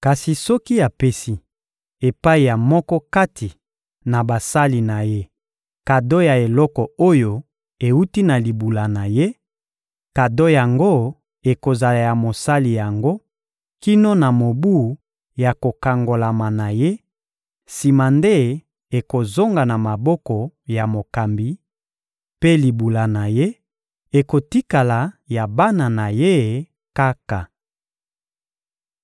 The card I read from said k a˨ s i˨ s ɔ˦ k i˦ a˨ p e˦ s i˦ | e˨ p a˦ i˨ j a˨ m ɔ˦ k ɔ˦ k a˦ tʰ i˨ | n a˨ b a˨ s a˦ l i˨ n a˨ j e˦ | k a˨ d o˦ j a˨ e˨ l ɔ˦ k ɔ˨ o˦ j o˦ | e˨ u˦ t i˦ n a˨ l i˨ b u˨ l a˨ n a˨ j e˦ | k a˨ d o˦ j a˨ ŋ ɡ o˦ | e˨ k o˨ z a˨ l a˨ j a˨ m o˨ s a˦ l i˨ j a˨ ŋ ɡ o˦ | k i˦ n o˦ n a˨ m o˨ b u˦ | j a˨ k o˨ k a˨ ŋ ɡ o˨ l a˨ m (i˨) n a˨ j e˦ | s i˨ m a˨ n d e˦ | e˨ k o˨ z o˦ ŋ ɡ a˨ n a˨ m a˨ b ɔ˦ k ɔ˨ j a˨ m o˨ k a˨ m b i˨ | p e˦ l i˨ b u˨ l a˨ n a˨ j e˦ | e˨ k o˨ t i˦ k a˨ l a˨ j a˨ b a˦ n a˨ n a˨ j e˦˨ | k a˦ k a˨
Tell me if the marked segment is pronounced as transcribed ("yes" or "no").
no